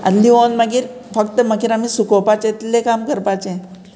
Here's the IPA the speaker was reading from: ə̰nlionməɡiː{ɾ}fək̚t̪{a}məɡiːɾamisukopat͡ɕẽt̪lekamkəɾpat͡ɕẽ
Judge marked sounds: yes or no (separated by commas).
yes, no